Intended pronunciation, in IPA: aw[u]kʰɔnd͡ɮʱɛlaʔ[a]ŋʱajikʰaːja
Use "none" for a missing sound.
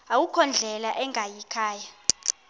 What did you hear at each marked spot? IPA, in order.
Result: u, ɛ

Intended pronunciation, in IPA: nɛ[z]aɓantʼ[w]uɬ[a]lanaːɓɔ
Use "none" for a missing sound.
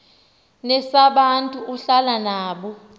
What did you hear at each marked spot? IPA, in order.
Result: s, u, a

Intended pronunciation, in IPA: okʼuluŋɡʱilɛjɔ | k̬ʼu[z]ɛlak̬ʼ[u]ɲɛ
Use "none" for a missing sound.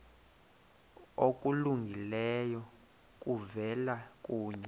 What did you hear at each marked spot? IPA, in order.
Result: v, uː

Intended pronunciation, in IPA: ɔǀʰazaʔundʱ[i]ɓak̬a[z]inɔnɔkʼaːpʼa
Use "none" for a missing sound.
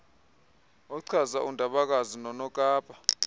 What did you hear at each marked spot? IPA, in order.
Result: a, z

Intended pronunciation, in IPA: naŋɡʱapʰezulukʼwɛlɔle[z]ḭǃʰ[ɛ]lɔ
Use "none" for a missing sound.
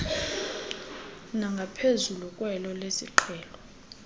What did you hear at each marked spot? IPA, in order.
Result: s, ɛː

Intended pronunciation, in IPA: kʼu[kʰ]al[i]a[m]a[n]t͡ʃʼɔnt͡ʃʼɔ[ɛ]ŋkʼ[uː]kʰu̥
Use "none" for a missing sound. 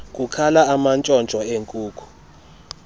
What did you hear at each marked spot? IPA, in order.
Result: kʰ, a, m, n, e, uː

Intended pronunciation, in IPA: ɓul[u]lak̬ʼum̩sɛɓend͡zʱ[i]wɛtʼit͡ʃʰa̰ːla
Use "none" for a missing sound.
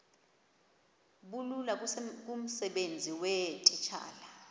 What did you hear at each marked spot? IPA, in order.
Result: u, i

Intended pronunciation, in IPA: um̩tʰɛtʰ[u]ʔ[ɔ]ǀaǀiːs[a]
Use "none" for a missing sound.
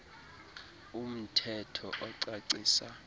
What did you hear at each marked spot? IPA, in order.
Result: ɔ, ɔ, a

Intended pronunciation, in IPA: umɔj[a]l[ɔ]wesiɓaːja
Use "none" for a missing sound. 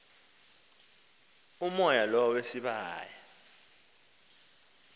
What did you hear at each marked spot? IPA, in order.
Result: a, ɔ

